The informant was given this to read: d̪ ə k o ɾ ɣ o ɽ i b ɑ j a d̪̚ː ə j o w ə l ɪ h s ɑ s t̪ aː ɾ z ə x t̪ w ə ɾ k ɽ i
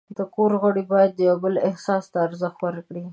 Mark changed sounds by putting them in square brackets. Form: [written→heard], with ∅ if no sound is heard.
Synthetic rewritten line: d̪ ə k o ɾ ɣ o ɽ i b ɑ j a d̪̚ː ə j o [w→b] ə l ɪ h s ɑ s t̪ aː ɾ z ə x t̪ w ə ɾ k ɽ i